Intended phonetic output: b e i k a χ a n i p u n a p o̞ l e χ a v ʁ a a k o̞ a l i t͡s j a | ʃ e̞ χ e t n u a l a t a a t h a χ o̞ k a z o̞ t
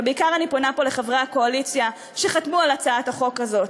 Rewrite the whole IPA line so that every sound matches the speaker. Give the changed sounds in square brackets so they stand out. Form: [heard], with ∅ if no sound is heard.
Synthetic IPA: b e i k a [ʁ] a n i p [o] n a p o̞ l e χ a v ʁ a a k o̞ a l i t͡s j a | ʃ e̞ χ [a] t [m] u a l a [t͡s] a a t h a χ o̞ k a z o̞ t